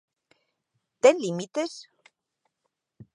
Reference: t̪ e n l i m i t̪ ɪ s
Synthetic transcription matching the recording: t̪ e n l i m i t̪ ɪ s